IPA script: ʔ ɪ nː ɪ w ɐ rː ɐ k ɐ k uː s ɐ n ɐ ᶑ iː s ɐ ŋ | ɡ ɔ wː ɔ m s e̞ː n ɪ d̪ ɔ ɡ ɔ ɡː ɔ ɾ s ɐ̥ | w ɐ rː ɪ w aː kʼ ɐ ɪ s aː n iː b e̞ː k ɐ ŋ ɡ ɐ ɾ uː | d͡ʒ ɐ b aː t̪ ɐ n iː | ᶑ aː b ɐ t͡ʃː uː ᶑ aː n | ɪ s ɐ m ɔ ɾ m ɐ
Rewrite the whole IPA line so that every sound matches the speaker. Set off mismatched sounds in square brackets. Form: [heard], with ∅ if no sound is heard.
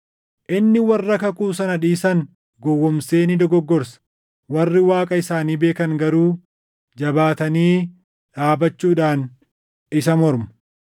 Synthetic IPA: ʔ ɪ nː ɪ w ɐ rː ɐ k ɐ k uː s ɐ n ɐ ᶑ iː s ɐ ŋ | ɡ ɔ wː ɔ m s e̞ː n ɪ d̪ ɔ ɡ ɔ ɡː ɔ ɾ s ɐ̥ | w ɐ rː ɪ w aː kʼ ɐ ɪ s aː n iː b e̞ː k ɐ ŋ ɡ ɐ ɾ uː | d͡ʒ ɐ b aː t̪ ɐ n iː | ᶑ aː b ɐ t͡ʃː uː ᶑ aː n | ɪ s ɐ m ɔ ɾ m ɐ